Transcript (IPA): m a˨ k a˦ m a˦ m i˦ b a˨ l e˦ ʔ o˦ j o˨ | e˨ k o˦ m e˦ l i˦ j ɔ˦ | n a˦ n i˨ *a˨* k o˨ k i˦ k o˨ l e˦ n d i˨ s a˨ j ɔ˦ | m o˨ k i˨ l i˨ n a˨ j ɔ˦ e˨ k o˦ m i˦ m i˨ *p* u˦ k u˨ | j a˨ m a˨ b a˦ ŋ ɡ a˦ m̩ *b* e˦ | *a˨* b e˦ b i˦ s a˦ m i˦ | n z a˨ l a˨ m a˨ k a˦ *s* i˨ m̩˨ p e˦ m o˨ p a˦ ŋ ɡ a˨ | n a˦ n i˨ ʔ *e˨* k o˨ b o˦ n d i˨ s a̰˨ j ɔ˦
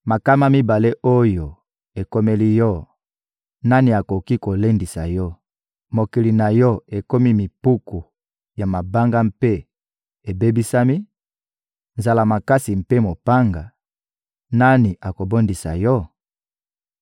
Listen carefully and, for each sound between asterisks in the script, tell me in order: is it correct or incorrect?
correct, correct, incorrect: p, incorrect: e˨, correct, incorrect: a˨

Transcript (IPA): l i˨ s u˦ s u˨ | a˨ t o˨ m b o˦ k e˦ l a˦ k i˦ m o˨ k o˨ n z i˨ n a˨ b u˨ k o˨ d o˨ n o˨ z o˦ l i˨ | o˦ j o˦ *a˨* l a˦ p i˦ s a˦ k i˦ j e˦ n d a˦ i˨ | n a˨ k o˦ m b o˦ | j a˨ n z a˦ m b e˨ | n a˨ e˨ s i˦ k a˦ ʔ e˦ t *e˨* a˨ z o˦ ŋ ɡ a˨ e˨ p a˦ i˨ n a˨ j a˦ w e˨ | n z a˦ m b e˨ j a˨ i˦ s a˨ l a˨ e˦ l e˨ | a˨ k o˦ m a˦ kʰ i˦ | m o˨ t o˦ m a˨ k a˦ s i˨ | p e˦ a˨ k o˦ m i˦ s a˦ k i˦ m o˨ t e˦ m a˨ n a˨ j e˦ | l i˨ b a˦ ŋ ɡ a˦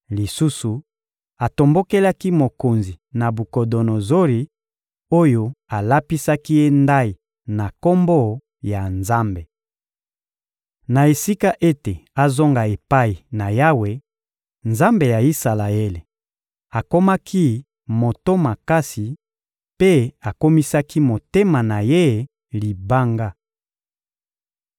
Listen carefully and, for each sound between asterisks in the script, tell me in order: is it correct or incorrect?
correct, correct

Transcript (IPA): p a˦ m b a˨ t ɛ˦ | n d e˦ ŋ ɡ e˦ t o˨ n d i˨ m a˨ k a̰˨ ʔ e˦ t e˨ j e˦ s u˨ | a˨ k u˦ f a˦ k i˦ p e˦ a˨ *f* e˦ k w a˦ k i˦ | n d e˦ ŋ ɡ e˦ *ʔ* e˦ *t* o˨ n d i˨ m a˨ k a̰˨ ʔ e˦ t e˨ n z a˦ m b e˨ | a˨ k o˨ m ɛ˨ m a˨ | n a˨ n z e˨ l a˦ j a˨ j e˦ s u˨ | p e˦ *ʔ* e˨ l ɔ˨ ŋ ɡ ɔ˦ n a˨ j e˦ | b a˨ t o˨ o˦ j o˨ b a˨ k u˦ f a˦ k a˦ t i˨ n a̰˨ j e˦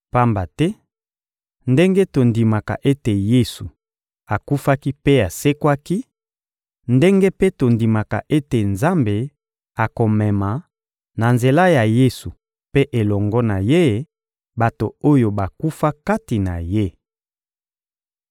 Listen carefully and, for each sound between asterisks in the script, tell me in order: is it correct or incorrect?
incorrect: s, incorrect: p, correct, correct

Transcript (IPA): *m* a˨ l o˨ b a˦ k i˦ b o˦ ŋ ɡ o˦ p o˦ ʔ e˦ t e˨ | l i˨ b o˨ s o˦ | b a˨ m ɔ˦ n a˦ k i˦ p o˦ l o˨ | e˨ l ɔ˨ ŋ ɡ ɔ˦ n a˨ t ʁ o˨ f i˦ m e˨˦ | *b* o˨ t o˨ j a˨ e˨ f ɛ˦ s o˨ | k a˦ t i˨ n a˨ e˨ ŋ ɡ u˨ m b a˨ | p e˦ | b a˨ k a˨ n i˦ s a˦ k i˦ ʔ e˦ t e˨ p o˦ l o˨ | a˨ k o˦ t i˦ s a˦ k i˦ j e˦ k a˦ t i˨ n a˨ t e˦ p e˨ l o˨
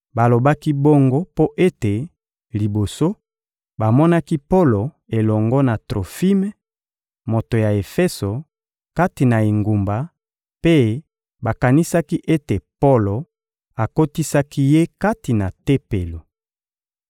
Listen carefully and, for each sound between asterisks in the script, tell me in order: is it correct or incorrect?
incorrect: b, incorrect: m

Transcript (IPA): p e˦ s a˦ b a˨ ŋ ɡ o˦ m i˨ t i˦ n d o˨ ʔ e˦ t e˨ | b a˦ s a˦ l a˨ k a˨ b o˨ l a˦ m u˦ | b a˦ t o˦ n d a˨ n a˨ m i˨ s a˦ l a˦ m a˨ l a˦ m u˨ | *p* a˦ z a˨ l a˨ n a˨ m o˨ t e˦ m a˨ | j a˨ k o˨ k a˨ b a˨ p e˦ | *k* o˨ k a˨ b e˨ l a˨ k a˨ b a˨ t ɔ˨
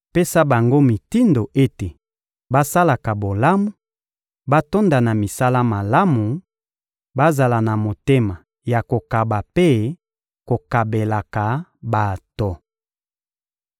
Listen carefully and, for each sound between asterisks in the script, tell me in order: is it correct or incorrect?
incorrect: b, correct

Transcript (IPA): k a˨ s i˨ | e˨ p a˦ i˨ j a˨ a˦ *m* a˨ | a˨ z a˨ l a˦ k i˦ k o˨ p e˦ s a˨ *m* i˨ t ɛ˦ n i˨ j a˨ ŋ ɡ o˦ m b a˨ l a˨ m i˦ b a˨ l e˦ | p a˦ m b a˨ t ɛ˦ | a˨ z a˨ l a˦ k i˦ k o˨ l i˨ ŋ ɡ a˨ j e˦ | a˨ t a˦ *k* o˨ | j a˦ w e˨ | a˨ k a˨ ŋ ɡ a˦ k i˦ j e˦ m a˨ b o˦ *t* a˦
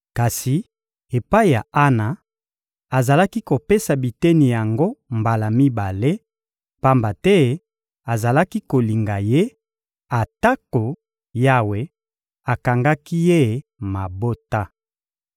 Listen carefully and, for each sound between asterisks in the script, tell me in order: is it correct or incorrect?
incorrect: n, incorrect: b, correct, correct

